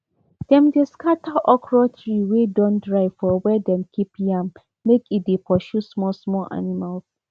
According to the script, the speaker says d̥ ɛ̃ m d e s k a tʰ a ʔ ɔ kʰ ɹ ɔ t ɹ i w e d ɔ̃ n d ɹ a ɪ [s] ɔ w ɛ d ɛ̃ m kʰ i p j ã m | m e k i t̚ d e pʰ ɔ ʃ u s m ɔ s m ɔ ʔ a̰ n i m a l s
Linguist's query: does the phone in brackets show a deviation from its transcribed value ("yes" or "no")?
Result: yes